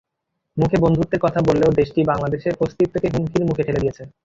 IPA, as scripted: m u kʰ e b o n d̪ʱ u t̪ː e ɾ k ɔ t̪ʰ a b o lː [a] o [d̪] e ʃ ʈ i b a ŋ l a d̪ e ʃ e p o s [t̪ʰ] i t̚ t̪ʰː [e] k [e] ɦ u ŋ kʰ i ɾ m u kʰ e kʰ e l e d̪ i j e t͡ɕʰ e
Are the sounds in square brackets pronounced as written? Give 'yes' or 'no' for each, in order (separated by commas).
no, yes, no, yes, yes